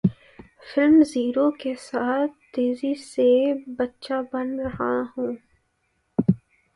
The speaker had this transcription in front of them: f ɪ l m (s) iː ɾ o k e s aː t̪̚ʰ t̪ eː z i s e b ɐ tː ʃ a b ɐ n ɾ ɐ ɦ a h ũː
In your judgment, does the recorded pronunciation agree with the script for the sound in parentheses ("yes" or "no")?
no